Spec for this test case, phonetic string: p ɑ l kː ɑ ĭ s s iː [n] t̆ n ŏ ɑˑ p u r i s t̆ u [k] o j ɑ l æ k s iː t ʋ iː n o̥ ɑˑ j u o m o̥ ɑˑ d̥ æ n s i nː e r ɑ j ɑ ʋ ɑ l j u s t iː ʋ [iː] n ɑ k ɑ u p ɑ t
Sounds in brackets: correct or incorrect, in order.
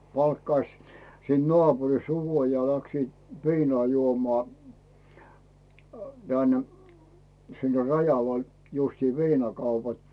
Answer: correct, correct, correct

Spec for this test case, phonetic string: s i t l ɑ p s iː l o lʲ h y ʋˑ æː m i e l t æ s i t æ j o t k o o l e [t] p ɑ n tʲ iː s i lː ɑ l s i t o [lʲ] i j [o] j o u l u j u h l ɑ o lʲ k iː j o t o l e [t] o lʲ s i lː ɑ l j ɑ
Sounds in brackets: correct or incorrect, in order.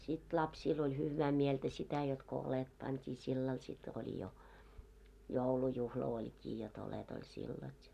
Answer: correct, correct, correct, correct

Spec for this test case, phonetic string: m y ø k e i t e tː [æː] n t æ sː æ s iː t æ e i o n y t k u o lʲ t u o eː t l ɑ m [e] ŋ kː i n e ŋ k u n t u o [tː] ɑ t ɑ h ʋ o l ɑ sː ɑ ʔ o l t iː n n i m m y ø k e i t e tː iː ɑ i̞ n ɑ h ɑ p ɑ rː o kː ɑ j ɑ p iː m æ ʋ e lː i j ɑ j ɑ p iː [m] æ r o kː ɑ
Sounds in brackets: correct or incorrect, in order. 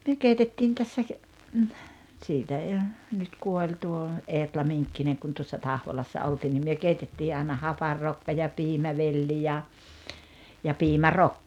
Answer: incorrect: iː, incorrect: i, incorrect: sː, correct

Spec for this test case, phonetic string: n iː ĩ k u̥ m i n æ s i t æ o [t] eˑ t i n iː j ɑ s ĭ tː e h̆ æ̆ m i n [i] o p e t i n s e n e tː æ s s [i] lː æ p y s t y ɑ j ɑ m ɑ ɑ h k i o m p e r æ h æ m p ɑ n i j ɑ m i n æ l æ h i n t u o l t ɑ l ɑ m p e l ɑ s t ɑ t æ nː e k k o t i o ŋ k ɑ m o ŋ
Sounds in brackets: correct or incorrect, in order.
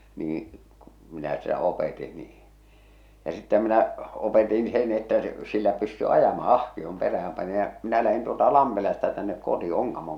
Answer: incorrect: p, incorrect: æ, correct

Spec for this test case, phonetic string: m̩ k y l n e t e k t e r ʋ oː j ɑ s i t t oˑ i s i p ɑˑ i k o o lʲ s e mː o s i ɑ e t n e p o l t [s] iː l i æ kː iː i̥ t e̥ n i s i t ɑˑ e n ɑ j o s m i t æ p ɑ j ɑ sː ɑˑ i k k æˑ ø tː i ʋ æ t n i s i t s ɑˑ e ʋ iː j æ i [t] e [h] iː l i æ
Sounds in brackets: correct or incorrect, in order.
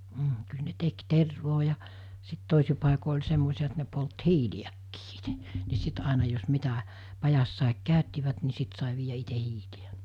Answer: incorrect: h, correct, correct

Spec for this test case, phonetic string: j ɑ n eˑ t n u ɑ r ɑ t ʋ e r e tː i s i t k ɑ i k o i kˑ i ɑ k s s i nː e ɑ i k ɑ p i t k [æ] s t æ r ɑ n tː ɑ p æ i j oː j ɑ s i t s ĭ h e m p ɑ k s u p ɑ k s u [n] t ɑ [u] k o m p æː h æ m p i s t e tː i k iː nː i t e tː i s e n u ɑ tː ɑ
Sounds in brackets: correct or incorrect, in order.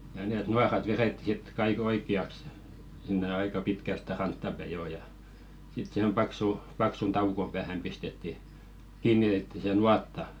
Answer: correct, correct, correct

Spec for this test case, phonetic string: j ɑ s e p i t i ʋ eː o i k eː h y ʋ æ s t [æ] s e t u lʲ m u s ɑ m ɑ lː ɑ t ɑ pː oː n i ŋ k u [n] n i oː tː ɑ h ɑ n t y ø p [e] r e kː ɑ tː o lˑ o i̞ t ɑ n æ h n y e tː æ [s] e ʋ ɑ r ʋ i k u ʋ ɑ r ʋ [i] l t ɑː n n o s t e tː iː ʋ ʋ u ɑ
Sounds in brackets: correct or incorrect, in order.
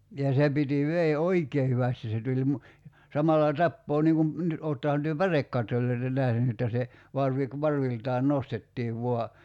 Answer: incorrect: i, incorrect: m, incorrect: æ, correct, correct

